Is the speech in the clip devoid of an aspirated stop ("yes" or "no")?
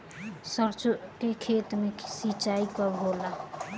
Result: no